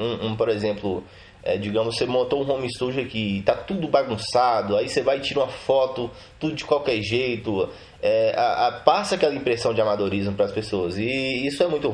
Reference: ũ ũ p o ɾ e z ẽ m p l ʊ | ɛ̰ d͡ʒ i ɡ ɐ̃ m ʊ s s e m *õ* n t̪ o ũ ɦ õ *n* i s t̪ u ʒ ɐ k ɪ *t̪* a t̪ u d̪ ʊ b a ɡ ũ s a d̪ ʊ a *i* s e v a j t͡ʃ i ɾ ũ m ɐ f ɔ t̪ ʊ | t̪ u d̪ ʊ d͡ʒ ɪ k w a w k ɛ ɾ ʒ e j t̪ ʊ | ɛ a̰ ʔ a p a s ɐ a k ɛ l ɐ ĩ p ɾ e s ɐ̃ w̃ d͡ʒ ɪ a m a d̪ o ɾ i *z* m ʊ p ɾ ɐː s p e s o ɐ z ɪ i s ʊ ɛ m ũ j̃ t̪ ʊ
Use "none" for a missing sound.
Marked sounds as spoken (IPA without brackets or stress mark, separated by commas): õ, m, t̪, i, z